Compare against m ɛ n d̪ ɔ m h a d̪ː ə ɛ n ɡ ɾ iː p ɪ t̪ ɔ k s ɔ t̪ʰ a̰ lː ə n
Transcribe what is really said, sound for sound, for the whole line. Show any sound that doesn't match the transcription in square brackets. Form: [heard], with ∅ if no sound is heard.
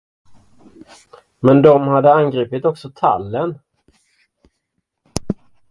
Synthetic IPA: m ɛ n d̪ ɔ m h a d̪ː ə [a] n ɡ ɾ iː p ɪ t̪ ɔ k s ɔ t̪ʰ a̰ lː ə n